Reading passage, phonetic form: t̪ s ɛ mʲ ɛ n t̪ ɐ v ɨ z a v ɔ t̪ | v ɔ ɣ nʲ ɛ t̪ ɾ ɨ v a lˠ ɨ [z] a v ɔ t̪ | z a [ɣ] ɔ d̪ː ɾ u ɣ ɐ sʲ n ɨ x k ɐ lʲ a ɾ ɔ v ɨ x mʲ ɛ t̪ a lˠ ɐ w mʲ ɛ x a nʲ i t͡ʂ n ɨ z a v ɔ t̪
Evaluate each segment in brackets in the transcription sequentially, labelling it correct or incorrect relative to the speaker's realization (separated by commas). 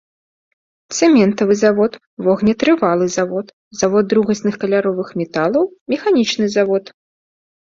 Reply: correct, incorrect